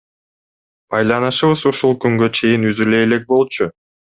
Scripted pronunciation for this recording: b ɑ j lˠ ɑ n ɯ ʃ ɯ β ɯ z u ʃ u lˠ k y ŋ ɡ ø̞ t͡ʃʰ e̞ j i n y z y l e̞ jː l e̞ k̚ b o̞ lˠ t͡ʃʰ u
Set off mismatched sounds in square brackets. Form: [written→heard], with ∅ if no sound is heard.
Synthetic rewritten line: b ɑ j lˠ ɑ n ɯ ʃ ɯ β ɯ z u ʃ u lˠ k y ŋ ɡ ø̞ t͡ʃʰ e̞ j i n y z y l e̞ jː l e̞ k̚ b o̞ lˠ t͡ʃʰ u